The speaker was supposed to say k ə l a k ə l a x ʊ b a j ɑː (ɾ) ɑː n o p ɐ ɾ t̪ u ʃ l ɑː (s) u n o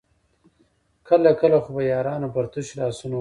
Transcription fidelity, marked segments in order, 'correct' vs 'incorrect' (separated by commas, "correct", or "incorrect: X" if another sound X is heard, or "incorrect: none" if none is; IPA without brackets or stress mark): correct, correct